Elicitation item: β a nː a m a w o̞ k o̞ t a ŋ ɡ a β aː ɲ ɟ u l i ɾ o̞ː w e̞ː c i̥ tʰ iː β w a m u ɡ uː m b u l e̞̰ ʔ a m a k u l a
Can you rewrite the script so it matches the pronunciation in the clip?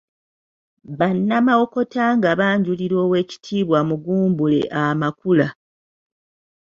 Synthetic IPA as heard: β a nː a m a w o̞ k o̞ t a ŋ ɡ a β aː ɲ ɟ u l i ɾ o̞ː w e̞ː c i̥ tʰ iː β w a m u ɡ uː m b u l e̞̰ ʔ a m a k u l a